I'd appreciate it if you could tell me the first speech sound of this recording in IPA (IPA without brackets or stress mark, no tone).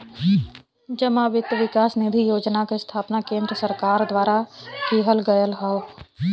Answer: d͡ʒ